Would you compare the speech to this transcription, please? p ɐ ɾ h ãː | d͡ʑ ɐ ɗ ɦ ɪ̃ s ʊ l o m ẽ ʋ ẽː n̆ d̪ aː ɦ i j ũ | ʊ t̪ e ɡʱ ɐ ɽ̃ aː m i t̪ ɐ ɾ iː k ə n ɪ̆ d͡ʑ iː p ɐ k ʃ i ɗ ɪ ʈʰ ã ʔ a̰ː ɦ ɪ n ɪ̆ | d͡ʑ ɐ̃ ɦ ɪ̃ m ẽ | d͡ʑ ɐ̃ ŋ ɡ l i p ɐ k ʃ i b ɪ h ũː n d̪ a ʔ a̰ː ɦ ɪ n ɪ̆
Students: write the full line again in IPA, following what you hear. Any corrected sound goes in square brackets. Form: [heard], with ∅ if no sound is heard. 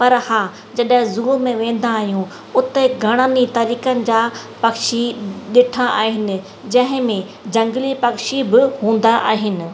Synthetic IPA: p ɐ ɾ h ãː | d͡ʑ ɐ ɗ ɦ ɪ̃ [z] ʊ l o m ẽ ʋ ẽː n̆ d̪ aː ɦ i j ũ | ʊ t̪ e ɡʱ ɐ ɽ̃ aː [n] i t̪ ɐ ɾ iː k ə n ɪ̆ d͡ʑ [aː] p ɐ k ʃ i ɗ ɪ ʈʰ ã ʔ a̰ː ɦ ɪ n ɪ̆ | d͡ʑ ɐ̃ ɦ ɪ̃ m ẽ | d͡ʑ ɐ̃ ŋ ɡ l i p ɐ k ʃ i b ɪ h ũː n d̪ a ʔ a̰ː ɦ ɪ n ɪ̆